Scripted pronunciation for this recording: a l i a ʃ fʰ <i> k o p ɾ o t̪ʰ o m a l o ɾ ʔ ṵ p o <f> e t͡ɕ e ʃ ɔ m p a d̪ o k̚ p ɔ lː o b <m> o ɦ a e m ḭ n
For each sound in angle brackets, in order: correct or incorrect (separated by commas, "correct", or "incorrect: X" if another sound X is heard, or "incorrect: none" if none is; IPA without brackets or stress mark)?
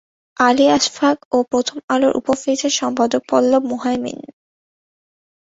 incorrect: a, correct, correct